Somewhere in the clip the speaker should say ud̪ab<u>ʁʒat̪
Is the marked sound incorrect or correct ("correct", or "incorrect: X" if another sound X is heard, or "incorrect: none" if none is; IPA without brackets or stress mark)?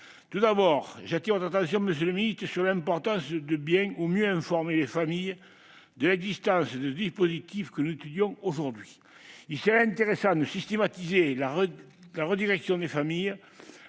incorrect: ɔ